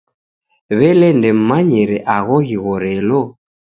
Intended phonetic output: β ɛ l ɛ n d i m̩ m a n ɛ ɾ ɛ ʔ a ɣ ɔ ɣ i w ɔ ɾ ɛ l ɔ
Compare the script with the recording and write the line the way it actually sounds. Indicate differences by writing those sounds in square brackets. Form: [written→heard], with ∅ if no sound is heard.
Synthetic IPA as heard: β ɛ l ɛ n d [i→ɛ] m̩ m a [n→ɲ] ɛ ɾ ɛ ʔ a ɣ ɔ ɣ i [w→ɣ] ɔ ɾ ɛ l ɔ